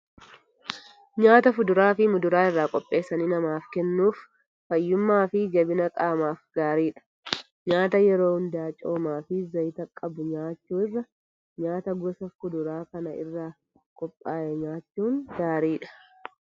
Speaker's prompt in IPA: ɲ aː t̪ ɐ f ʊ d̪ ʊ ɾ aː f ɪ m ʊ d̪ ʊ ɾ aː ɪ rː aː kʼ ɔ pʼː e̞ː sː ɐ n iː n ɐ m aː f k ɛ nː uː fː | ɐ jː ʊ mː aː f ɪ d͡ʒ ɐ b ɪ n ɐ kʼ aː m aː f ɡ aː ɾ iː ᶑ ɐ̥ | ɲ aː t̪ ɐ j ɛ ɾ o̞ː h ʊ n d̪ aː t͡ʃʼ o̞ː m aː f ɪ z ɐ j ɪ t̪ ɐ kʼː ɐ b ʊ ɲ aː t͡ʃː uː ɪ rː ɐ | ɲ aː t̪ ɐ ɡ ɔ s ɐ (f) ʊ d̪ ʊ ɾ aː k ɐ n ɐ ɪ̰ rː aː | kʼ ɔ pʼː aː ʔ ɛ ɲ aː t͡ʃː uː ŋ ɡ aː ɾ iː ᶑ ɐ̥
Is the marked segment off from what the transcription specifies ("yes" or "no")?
no